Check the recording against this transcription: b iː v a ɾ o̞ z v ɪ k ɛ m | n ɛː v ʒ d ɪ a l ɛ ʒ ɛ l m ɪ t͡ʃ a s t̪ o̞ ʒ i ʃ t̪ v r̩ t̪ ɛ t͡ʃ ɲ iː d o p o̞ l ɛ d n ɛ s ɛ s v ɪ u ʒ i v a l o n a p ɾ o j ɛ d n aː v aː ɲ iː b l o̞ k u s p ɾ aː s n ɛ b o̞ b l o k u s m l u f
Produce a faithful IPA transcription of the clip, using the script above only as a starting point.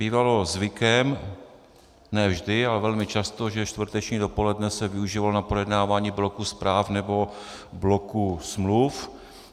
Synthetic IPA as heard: b iː v a l o̞ z v ɪ k ɛ m | n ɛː v ʒ d ɪ a l ɛ v ɛ l m ɪ t͡ʃ a s t̪ o̞ ʒ ɛ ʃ t̪ v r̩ t̪ ɛ t͡ʃ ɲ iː d o p o̞ l ɛ d n ɛ s ɛ v ɪ u ʒ i v a l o n a p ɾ o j ɛ d n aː v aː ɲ iː b l o̞ k u s p ɾ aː f n ɛ b o̞ b l o k u s m l u f